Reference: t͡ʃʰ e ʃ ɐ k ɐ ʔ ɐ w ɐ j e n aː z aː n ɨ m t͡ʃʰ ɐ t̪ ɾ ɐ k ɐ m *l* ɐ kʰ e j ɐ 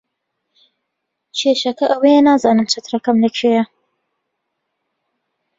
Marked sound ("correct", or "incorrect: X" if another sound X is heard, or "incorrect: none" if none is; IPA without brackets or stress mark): correct